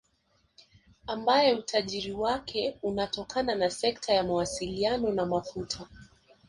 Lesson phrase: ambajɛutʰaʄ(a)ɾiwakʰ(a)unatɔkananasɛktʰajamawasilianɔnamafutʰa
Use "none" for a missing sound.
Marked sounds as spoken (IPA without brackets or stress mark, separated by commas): i, ɛ